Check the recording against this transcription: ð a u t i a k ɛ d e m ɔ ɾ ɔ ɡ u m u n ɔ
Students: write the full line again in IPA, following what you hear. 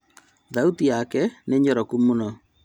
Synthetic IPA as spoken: ð a u t i a k ɛ n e ɲ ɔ ɾ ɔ k u m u n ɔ